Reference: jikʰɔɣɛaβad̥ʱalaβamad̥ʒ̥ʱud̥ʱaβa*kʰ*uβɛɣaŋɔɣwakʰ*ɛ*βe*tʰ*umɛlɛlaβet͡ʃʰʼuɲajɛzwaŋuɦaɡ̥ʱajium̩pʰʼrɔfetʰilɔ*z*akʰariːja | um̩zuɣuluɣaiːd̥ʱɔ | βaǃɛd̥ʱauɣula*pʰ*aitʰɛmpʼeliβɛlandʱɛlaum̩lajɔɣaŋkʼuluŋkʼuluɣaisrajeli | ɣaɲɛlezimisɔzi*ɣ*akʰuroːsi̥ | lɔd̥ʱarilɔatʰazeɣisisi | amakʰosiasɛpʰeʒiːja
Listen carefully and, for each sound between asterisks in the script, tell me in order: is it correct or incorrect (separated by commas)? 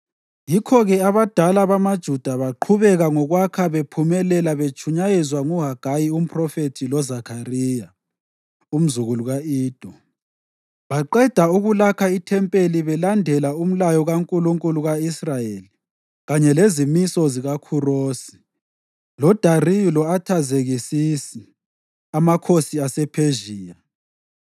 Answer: incorrect, incorrect, incorrect, correct, incorrect, correct